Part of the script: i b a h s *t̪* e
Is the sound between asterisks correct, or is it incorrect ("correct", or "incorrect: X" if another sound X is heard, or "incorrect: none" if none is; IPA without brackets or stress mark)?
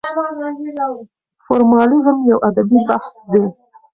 incorrect: d̪